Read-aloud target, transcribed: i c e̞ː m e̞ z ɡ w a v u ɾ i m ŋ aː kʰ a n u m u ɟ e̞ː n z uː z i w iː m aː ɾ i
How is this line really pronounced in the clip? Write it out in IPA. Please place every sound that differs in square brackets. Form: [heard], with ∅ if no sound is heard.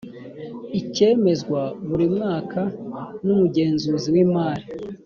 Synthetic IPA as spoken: i c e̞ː m e̞ z ɡ w a [β] u ɾ i m ŋ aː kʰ a n u m u ɟ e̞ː n z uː z i w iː m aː ɾ i